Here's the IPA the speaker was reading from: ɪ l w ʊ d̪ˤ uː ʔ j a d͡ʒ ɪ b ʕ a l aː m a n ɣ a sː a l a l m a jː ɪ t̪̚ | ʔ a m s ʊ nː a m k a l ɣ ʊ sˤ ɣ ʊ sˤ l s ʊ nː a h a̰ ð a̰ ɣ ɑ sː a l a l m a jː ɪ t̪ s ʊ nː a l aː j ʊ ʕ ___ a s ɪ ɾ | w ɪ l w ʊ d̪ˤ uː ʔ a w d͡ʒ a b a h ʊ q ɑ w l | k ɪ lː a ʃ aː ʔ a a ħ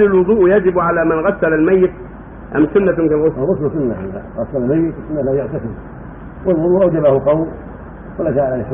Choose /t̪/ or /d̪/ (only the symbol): t̪